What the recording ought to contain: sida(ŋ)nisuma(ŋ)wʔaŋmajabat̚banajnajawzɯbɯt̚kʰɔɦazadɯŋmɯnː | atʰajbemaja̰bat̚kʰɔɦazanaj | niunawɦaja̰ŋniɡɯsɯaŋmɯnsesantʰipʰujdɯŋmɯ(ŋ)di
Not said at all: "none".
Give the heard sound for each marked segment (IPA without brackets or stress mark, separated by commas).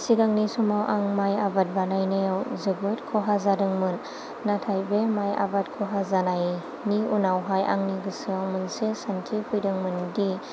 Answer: ŋ, none, n